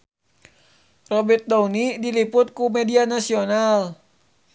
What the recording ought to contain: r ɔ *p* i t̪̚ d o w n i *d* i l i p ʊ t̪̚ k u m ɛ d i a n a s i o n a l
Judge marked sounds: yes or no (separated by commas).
no, yes